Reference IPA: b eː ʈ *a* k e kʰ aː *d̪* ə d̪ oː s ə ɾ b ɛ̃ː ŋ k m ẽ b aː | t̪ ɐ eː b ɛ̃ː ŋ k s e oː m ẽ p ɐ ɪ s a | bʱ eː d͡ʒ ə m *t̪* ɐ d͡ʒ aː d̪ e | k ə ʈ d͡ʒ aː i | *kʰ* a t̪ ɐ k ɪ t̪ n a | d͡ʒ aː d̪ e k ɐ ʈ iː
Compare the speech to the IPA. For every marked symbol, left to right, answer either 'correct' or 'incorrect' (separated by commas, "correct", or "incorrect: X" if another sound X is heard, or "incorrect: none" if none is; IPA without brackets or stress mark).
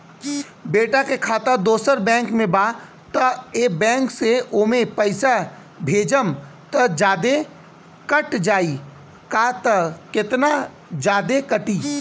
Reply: correct, incorrect: t̪, correct, incorrect: k